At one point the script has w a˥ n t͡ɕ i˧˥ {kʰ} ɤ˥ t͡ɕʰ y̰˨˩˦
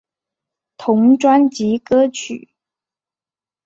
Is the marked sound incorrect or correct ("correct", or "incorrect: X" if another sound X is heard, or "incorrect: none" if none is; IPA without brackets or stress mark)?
incorrect: k